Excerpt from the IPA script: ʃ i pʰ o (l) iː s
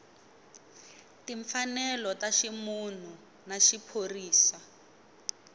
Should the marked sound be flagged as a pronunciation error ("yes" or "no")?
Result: yes